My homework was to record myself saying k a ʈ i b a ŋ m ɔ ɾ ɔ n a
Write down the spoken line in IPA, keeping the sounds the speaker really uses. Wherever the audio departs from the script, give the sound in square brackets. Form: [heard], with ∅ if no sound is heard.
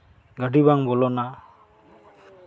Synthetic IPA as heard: [ɡ] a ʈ i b a ŋ [b] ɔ [l] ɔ n a